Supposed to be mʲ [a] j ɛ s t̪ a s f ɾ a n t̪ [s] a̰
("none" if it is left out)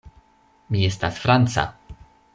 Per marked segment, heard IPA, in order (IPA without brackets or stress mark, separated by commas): i, s